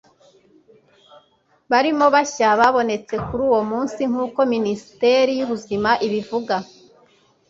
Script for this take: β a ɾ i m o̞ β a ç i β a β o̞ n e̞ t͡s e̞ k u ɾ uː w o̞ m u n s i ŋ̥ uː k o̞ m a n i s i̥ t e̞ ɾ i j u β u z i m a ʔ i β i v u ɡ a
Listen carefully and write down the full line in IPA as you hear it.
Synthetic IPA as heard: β a ɾ i m o̞ β a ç a β a β o̞ n e̞ t͡s e̞ k u ɾ uː w o̞ m uː n s i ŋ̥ uː k o̞ m i n i s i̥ t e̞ ɾ i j u β u z i m a ʔ i β i v u ɡ a